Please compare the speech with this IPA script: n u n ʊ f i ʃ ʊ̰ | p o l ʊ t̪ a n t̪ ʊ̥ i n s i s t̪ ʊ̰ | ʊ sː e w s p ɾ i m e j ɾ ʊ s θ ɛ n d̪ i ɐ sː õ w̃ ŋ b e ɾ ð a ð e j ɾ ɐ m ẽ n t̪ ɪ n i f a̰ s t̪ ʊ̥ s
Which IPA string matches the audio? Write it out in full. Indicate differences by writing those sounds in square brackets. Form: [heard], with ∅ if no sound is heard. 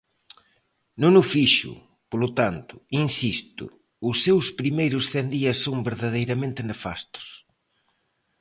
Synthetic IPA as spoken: n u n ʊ f i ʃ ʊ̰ | p o l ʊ t̪ a n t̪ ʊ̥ i n s i s t̪ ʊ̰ | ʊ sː e w s p ɾ i m e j ɾ ʊ s θ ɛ n d̪ i ɐ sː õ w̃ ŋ b e ɾ ð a ð e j ɾ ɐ m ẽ n t̪ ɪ n [e] f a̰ s t̪ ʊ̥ s